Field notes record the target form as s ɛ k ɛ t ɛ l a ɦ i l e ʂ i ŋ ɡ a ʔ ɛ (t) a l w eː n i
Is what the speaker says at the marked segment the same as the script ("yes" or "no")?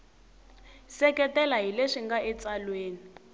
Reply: no